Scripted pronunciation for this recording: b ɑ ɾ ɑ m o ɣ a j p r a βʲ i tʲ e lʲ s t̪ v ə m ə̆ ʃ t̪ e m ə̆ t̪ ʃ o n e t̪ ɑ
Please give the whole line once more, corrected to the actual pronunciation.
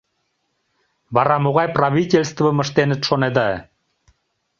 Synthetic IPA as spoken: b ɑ ɾ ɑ m o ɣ ɑ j p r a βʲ i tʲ e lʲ s t̪ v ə m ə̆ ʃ t̪ e n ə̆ t̪ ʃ o n e d̪ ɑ